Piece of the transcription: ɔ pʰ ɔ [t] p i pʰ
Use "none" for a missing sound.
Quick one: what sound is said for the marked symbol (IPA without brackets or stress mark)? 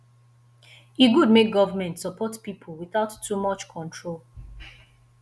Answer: t